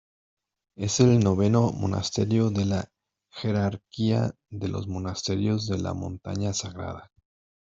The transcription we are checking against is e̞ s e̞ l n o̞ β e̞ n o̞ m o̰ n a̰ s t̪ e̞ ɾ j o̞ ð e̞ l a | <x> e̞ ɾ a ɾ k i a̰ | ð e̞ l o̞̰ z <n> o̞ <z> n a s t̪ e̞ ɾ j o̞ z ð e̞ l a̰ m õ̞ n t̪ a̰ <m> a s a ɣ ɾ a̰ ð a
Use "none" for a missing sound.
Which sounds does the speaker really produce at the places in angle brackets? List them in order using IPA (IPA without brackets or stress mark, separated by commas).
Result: x, m, none, ɲ